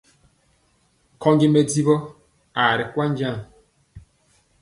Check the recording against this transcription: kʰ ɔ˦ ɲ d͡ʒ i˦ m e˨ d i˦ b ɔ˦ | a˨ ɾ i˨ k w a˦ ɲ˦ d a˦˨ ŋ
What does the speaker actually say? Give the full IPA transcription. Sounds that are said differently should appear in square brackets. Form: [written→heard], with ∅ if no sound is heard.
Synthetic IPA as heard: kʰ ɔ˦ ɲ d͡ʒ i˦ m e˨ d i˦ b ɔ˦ | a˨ ɾ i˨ k w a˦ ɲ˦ [d→d͡ʒ] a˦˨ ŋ